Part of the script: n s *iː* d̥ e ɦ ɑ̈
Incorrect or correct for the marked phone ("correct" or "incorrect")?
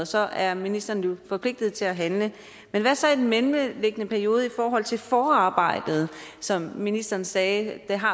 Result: incorrect